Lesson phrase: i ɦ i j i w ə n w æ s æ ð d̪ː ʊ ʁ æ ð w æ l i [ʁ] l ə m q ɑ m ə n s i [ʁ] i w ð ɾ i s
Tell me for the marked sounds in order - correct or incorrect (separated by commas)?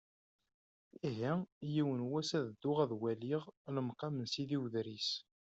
correct, incorrect